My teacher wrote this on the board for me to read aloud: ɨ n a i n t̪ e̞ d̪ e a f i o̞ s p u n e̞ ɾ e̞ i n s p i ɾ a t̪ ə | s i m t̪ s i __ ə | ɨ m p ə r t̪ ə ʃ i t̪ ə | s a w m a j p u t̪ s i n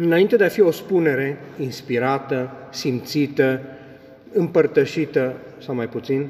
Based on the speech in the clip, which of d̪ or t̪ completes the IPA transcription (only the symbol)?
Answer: t̪